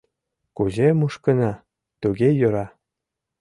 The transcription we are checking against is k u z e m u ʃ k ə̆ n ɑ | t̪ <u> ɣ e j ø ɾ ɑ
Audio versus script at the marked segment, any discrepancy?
no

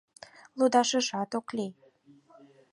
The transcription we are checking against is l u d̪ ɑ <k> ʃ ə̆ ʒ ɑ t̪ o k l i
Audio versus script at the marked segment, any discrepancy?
yes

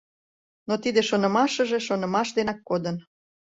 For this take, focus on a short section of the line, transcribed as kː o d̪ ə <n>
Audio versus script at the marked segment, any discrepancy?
no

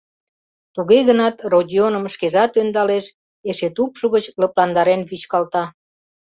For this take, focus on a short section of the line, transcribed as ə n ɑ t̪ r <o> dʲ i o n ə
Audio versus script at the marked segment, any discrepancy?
no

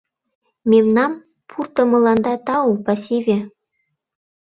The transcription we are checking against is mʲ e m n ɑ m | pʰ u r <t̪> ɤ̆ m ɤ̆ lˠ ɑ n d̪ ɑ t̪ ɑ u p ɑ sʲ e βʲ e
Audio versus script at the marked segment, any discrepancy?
no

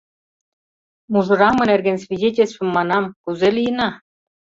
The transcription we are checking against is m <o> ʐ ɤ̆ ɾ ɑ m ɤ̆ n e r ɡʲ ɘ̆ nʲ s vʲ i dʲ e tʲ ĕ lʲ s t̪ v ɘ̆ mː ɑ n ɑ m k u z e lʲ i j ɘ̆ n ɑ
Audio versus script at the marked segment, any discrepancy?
yes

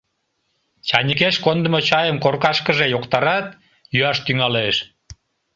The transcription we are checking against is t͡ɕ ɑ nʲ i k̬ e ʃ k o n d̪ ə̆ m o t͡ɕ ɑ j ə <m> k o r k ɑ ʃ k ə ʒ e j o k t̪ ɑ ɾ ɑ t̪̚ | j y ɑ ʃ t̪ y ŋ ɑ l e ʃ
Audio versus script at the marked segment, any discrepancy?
no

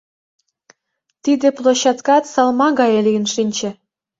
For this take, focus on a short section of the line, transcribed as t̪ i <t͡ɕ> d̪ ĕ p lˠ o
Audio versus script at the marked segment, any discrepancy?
yes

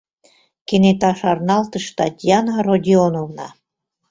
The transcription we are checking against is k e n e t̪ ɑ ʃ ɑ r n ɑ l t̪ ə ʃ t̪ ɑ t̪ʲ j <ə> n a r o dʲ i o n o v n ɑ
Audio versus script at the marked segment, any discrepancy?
yes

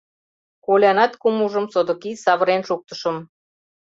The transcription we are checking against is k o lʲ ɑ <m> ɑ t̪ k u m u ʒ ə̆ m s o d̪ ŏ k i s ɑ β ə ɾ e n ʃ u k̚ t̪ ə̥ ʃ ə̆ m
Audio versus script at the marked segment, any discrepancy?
yes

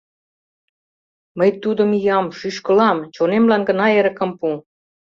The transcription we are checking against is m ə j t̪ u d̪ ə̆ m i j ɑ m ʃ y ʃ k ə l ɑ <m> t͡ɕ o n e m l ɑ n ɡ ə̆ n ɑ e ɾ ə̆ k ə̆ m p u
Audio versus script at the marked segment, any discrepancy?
no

